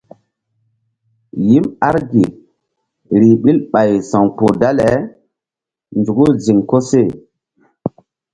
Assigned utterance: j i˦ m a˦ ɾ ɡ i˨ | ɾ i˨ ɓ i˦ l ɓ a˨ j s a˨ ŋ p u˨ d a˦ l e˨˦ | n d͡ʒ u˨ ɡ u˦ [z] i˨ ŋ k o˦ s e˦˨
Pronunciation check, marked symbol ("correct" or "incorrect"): correct